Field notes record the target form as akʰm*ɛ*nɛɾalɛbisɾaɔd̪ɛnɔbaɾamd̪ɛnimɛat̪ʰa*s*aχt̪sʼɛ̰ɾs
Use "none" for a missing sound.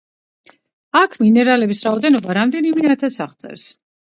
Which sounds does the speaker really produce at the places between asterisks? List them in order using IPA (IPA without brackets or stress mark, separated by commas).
i, s